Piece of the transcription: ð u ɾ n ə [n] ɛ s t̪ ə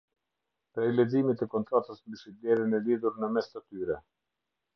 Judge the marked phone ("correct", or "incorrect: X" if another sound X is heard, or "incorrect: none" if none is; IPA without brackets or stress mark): incorrect: m